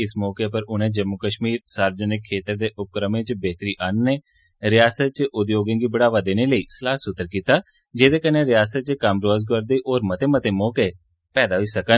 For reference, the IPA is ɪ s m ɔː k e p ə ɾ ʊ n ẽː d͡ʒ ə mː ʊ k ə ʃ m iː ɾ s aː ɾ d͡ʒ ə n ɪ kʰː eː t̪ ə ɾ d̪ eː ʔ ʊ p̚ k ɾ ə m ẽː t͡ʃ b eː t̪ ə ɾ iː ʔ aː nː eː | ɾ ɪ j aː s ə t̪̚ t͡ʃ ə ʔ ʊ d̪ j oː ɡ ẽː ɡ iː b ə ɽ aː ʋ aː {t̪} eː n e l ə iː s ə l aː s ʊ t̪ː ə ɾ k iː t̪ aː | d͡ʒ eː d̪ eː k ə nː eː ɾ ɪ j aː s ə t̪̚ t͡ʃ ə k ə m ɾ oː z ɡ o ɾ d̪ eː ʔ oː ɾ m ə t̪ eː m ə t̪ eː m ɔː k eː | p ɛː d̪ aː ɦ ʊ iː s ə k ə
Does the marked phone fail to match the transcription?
yes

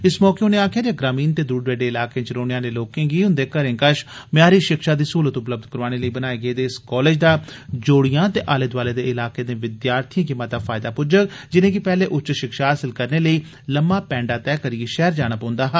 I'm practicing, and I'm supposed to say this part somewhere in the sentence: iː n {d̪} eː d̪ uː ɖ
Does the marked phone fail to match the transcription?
yes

